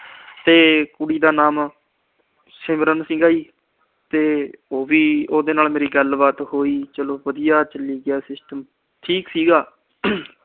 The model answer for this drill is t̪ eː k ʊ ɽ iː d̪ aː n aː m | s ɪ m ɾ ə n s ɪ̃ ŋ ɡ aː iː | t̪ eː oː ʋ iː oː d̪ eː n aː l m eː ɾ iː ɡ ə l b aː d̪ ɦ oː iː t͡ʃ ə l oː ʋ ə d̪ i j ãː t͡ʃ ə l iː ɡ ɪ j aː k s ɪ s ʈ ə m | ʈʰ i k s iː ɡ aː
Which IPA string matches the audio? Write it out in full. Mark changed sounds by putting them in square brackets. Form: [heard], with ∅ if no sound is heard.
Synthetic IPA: t̪ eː k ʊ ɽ iː d̪ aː n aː m | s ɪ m ɾ ə n s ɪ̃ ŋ ɡ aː iː | t̪ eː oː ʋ iː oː d̪ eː n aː l m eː ɾ iː ɡ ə l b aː [t̪] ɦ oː iː t͡ʃ ə l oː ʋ ə d̪ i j [aː] t͡ʃ ə l iː ɡ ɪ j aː [∅] s ɪ s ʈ ə m | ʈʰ [iː] k s iː ɡ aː